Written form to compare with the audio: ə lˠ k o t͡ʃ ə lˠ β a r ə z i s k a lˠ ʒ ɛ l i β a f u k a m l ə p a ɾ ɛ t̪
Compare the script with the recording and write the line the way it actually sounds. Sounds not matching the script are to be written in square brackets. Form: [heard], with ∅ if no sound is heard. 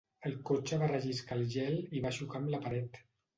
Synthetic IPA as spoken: ə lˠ k o t͡ʃ ə [∅] β a r ə [ʒ] i s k a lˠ ʒ ɛ l i β a [ʃ] u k a m l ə p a ɾ ɛ t̪